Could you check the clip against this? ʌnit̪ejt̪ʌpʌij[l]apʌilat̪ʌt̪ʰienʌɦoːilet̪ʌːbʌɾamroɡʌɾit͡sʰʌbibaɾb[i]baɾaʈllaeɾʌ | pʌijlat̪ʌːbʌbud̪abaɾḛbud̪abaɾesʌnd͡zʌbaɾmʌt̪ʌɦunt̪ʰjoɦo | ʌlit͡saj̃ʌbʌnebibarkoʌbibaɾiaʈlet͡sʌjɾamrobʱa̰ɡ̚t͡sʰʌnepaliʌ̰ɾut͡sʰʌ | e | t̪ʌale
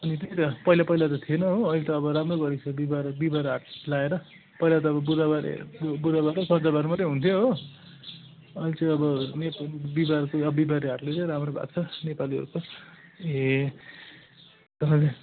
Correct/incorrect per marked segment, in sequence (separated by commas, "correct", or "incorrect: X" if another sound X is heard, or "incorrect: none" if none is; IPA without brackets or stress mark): correct, correct